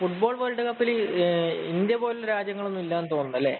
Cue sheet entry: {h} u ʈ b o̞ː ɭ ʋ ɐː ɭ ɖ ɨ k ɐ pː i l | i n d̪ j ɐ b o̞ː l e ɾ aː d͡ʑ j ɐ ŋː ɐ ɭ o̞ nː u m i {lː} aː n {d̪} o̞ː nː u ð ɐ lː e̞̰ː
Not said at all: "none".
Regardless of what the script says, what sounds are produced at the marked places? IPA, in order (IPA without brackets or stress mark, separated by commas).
f, lː, t̪